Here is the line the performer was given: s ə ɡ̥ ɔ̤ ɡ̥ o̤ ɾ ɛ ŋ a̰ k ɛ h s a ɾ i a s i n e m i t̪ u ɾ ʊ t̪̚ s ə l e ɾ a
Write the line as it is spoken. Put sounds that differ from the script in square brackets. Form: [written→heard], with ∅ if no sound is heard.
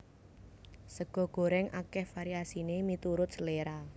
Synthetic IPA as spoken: s ə ɡ̥ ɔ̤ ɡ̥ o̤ ɾ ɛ ŋ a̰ k ɛ h [s→f] a ɾ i a s i n e m i t̪ u ɾ ʊ t̪̚ s ə l e ɾ a